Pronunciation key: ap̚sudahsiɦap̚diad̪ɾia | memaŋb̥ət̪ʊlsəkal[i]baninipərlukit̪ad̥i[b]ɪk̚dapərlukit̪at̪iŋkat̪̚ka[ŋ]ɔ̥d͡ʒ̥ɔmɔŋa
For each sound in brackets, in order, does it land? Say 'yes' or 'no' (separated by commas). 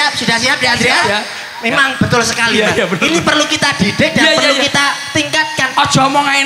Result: yes, no, no